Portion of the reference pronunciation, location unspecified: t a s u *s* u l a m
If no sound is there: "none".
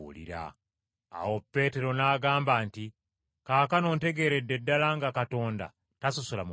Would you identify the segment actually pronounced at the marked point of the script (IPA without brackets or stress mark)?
s